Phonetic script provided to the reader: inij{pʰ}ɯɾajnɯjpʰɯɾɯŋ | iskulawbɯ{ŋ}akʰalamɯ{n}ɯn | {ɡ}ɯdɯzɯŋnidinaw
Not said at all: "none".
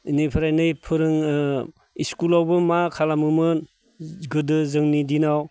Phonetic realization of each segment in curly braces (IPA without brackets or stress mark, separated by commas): pʰ, m, m, ɡ